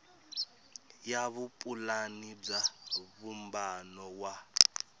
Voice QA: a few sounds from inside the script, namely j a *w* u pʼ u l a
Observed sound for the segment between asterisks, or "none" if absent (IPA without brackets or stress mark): β